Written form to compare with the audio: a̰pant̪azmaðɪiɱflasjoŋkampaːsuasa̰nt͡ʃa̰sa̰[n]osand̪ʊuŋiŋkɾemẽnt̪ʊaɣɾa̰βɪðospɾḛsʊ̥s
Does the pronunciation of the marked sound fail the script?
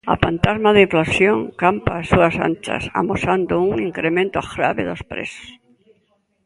yes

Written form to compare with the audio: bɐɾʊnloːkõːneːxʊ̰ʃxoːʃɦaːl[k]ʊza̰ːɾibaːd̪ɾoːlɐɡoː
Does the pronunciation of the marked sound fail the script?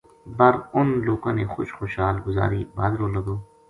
yes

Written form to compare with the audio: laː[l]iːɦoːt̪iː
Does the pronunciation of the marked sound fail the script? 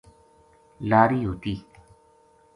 yes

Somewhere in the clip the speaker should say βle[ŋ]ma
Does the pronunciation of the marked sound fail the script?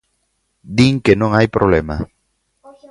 yes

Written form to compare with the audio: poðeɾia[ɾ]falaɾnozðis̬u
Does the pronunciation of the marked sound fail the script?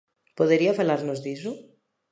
yes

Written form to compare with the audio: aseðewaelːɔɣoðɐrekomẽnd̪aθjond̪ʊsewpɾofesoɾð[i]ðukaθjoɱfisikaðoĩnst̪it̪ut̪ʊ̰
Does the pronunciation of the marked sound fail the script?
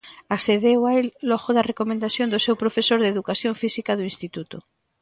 yes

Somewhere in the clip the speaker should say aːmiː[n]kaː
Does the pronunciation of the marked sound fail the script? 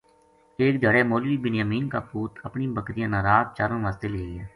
no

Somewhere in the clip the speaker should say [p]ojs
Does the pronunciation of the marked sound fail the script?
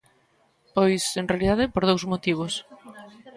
no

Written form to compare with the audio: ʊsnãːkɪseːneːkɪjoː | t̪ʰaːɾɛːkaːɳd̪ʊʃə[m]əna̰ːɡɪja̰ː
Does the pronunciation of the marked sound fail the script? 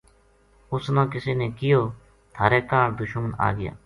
no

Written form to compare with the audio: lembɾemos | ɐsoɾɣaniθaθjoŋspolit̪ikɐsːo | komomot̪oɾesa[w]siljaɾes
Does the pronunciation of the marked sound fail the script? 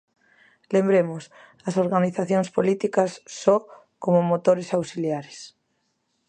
no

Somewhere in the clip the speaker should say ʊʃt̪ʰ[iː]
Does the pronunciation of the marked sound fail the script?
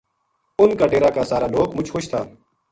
yes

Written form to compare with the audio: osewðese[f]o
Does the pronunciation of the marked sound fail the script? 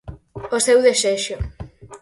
yes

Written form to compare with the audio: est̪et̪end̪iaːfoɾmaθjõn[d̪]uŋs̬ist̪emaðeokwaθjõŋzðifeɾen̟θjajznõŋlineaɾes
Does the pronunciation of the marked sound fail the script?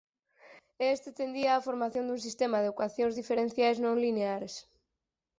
no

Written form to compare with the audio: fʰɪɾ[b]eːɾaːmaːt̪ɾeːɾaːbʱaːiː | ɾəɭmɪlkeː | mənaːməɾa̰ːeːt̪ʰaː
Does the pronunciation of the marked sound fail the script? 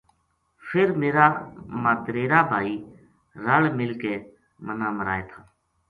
yes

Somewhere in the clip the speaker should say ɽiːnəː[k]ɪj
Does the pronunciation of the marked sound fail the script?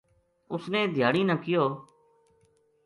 no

